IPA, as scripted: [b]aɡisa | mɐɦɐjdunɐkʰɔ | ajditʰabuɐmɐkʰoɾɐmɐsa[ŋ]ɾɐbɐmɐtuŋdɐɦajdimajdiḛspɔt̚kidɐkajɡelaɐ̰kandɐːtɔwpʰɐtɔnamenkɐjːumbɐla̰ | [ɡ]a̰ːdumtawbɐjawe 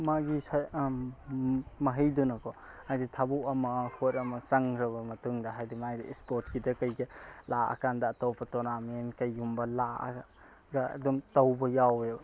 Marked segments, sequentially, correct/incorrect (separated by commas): incorrect, correct, correct